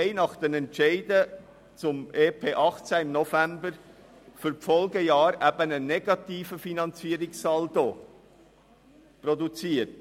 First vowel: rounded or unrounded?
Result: unrounded